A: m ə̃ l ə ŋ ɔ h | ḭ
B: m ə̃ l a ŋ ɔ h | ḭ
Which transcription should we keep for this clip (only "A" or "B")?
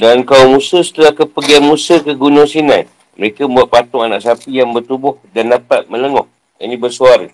A